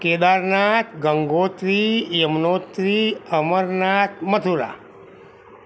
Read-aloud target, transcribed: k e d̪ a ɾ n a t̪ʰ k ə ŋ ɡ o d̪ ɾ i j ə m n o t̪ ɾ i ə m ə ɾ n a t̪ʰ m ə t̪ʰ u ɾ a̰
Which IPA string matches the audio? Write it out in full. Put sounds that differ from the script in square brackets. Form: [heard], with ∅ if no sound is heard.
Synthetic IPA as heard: k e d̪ a ɾ n a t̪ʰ [ɡ] ə ŋ ɡ o [t̪] ɾ i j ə m n o t̪ ɾ i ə m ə ɾ n a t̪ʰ m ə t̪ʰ u ɾ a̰